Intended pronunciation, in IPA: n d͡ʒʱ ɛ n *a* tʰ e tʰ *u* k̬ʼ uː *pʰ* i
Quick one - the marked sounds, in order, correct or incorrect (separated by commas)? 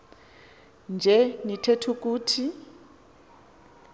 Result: incorrect, correct, incorrect